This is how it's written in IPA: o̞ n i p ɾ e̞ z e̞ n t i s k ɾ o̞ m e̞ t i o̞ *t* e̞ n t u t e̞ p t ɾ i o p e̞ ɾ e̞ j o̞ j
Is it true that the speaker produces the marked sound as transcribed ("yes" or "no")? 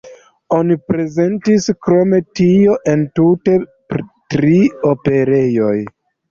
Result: no